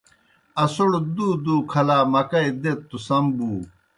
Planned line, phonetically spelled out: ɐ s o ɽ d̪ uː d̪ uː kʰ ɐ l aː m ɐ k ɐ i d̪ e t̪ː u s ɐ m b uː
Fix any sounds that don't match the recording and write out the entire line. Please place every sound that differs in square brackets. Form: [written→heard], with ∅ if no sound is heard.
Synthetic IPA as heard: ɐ s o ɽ d̪ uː d̪ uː kʰ ɐ l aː m ɐ k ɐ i d̪ e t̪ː u s ɐ m b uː